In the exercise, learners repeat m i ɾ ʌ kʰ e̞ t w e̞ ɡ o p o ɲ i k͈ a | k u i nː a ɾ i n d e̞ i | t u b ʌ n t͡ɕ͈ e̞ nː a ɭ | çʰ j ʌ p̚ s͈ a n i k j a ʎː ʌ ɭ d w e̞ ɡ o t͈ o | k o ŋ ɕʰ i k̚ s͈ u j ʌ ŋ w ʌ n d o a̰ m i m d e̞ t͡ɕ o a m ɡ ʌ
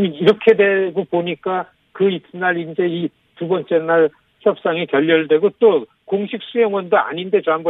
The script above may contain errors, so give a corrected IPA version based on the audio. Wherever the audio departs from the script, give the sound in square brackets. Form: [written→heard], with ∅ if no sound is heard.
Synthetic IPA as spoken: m i ɾ ʌ kʰ e̞ [t→d] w e̞ ɡ o p o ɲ i k͈ a | k [u→ɯ] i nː a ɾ i n [d→d͡ʑ] e̞ i | t u b ʌ n t͡ɕ͈ e̞ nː a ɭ | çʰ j ʌ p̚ s͈ a [n→ŋ] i k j [a→ʌ] ʎː ʌ ɭ d w e̞ ɡ o t͈ o | k o ŋ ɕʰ i k̚ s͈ u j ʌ ŋ w ʌ n d o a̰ [m→ɲ] i [m→n] d e̞ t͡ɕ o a m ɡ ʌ